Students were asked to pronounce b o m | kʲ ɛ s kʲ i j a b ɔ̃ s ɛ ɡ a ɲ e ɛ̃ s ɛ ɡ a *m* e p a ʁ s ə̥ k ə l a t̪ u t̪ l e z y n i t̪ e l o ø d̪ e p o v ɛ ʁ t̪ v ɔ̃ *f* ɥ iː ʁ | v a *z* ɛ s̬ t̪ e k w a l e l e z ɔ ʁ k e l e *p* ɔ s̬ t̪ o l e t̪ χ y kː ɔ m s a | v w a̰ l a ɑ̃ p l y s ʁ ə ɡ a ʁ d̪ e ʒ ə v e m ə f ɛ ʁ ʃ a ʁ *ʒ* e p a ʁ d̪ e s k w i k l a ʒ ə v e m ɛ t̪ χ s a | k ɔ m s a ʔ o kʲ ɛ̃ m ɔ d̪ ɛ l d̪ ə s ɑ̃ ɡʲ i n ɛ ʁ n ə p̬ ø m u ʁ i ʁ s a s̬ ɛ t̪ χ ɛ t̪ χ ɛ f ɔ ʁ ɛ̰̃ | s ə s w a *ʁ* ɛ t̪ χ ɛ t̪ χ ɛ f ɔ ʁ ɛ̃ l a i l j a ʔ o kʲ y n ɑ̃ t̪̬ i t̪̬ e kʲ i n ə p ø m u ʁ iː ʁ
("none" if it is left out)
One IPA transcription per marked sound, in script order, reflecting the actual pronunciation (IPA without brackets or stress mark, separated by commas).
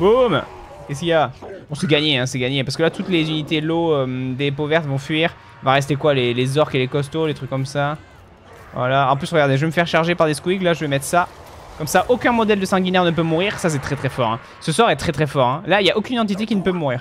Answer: ɲ, f, ʁ, k, ʒ, ʁ